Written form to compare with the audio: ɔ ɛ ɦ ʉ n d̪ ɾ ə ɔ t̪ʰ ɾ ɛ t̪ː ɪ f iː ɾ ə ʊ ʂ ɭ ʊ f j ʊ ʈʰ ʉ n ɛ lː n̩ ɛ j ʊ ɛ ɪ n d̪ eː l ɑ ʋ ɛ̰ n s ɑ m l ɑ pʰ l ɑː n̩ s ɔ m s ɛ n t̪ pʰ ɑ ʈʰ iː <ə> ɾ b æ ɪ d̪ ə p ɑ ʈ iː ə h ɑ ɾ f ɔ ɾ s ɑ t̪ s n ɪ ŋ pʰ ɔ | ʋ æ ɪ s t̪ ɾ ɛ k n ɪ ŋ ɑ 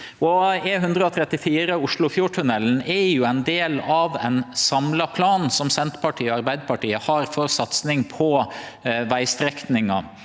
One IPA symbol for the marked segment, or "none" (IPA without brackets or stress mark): ɑ